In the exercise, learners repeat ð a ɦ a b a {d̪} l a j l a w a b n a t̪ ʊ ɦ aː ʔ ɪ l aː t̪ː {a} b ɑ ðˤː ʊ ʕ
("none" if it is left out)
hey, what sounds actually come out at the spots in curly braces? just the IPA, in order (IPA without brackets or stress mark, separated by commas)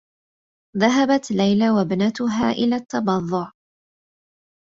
t̪, ɑ